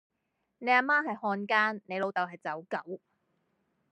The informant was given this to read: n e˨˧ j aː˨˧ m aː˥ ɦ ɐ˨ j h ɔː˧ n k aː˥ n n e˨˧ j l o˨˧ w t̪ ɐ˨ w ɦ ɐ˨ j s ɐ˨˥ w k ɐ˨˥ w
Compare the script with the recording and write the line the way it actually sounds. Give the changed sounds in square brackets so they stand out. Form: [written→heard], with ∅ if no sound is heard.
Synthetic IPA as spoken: n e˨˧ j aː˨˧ m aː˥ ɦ ɐ˨ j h ɔː˧ n k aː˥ n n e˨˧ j l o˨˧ w t̪ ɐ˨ w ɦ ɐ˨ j [s→t͡s] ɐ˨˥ w k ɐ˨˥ w